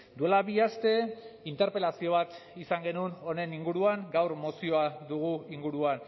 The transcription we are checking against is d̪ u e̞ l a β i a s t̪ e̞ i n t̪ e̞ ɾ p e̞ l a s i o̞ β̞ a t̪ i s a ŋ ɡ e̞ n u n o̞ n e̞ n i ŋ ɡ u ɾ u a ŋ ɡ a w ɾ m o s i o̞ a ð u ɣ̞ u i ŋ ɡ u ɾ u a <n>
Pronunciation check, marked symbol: correct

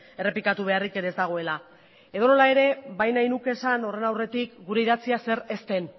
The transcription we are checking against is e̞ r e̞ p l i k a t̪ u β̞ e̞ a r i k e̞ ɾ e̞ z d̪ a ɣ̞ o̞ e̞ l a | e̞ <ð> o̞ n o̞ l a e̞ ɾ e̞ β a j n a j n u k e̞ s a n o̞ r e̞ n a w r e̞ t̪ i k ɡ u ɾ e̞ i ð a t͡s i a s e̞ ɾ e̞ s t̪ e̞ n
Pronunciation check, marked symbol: correct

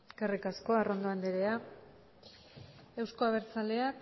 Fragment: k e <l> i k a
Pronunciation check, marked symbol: incorrect: r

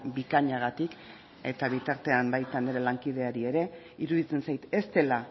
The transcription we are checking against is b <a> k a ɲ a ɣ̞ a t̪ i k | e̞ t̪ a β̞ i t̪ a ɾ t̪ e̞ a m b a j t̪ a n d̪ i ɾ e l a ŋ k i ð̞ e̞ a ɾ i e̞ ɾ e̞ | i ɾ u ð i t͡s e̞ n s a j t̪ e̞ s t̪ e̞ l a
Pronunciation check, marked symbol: incorrect: i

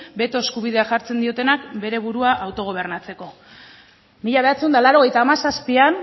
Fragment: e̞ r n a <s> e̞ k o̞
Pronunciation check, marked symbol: incorrect: t͡s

